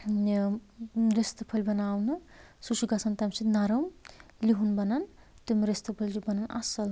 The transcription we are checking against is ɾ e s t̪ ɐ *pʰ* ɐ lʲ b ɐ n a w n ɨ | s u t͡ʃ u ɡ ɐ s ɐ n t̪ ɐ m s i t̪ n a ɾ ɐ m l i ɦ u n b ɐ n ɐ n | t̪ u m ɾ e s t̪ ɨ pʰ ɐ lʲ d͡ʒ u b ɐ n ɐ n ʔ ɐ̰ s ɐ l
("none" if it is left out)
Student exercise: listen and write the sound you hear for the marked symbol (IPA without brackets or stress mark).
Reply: pʰ